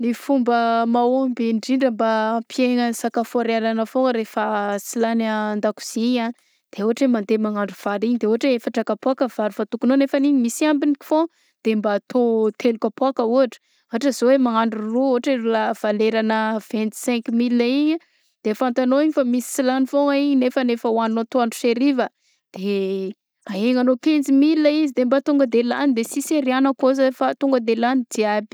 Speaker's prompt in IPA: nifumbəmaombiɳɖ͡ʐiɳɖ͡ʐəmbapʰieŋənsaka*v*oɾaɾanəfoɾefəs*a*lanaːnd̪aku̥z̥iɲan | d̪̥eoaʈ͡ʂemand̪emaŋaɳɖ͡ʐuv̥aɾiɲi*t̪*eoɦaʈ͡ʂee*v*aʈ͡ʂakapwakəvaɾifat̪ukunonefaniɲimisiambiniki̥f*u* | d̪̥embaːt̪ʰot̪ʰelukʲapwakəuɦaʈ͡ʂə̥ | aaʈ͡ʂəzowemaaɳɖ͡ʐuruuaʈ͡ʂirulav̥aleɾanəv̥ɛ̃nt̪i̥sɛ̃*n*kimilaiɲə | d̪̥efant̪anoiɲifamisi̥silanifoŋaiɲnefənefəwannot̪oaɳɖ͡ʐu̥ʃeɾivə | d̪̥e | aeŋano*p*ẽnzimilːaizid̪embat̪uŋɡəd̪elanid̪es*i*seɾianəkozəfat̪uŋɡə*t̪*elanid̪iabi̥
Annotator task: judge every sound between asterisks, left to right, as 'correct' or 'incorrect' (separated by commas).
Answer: incorrect, incorrect, incorrect, incorrect, incorrect, incorrect, incorrect, correct, incorrect